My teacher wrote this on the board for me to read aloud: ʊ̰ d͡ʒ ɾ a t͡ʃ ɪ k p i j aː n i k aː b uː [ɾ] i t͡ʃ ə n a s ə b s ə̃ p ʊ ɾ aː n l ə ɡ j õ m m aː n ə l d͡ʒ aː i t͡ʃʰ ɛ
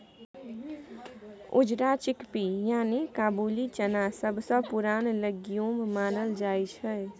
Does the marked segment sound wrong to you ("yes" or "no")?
yes